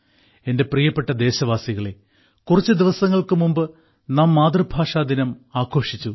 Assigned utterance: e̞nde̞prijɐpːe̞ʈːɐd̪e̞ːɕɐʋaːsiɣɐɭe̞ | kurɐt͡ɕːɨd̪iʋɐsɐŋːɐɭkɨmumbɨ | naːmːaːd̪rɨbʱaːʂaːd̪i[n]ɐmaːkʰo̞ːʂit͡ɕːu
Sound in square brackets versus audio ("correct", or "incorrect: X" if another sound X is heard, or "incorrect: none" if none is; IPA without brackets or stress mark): correct